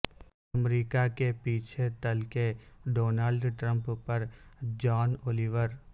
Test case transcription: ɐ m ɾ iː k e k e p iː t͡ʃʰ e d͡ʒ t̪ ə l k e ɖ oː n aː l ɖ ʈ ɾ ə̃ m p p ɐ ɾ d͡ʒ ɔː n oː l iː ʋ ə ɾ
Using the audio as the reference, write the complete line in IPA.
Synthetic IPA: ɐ m ɾ iː k a k e p iː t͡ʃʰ e t̪ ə l k e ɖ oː n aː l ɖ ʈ ɾ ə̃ m p p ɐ ɾ d͡ʒ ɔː n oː l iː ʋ ə ɾ

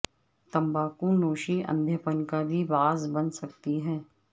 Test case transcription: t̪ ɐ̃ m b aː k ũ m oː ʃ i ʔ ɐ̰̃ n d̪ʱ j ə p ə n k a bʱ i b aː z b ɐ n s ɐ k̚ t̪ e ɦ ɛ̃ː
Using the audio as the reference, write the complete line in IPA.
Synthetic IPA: t̪ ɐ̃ m b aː k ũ n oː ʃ i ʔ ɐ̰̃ n d̪ʱ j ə p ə n k a bʱ i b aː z b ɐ n s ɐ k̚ t̪ i ɦ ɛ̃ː

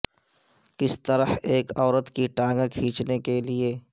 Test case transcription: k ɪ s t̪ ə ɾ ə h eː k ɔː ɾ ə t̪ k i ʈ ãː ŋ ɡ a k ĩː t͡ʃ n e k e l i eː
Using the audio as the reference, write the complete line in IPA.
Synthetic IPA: k ɪ s t̪ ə ɾ ə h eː k ɔː ɾ ə t̪ k i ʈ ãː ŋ ɡ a kʰ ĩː t͡ʃ n e k e l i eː

